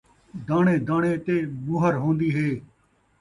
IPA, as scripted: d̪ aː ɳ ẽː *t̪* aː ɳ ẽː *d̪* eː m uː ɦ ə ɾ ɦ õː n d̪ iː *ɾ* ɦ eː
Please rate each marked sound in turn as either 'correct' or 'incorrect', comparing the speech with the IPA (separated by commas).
incorrect, incorrect, incorrect